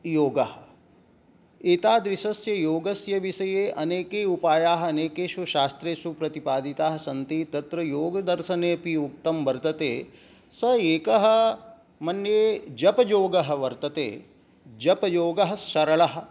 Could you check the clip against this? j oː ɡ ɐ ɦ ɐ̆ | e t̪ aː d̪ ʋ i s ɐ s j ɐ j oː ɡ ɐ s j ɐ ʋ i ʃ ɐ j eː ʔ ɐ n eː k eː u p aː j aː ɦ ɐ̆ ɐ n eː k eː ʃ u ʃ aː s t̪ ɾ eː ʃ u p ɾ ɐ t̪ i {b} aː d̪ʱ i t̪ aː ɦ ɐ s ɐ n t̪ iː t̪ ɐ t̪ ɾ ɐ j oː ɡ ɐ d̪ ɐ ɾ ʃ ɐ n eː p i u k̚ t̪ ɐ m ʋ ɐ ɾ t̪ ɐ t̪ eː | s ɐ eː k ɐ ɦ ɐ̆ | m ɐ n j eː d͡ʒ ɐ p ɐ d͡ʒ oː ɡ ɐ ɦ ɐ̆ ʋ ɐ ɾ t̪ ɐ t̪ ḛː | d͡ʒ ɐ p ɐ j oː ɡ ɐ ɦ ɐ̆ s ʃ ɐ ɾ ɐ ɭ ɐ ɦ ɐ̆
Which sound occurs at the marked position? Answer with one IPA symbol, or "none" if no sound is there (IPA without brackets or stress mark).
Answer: p